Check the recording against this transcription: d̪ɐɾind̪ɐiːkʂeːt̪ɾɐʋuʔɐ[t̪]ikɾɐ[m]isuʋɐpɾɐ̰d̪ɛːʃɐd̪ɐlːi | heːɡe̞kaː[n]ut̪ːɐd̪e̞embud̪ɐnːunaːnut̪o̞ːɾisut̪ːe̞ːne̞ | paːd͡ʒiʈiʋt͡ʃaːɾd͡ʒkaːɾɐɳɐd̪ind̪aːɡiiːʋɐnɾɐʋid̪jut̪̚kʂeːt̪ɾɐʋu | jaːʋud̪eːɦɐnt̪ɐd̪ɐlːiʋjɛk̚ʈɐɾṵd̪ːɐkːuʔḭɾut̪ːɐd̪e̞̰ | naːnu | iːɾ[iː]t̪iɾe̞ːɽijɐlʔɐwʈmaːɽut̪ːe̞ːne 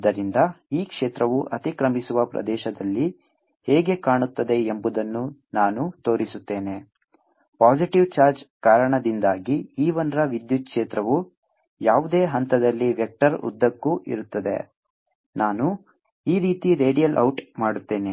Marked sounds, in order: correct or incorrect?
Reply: correct, correct, incorrect: ɳ, correct

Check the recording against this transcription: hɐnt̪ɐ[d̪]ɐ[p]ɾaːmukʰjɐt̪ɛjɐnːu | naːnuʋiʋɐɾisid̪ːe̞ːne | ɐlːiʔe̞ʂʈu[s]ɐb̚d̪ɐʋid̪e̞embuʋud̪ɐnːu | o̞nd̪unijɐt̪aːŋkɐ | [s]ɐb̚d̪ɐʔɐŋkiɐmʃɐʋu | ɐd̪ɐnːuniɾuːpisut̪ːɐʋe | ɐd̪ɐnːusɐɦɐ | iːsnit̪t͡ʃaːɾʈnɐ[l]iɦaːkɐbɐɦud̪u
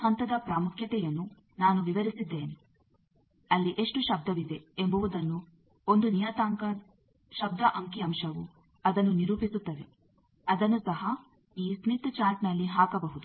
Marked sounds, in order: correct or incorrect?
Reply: correct, correct, incorrect: ʃ, incorrect: ʃ, incorrect: lː

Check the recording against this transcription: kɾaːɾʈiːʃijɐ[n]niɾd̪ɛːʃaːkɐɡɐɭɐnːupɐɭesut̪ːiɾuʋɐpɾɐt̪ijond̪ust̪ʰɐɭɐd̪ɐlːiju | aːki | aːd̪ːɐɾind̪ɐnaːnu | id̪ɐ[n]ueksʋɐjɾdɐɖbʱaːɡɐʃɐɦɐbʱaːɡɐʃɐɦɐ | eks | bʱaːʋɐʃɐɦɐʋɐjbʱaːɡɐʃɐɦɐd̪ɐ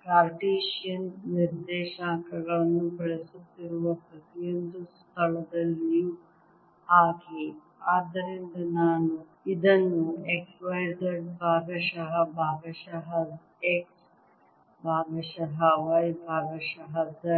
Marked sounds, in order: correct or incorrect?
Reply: correct, incorrect: nː

